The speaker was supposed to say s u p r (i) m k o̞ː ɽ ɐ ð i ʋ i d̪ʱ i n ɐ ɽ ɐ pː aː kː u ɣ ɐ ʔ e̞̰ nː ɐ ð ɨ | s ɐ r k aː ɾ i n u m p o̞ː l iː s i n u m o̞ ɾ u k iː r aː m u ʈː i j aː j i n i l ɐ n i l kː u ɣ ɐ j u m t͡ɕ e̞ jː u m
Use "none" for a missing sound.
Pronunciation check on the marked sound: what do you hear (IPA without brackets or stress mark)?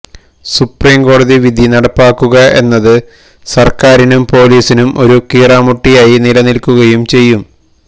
iː